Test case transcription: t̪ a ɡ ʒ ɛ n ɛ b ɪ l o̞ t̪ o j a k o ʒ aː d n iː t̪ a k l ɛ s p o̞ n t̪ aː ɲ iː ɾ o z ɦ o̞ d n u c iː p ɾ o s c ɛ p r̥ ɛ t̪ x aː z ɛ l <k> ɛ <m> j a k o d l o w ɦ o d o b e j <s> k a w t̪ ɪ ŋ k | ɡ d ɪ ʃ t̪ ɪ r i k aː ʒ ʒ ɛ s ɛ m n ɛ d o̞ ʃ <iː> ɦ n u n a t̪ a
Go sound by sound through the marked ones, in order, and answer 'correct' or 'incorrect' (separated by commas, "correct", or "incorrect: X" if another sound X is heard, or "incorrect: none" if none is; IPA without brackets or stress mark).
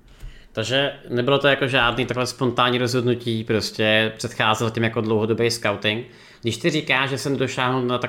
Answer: incorrect: c, correct, correct, incorrect: aː